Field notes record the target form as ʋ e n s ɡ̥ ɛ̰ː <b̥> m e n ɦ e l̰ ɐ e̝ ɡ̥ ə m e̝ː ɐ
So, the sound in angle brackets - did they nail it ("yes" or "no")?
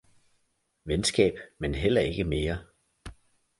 yes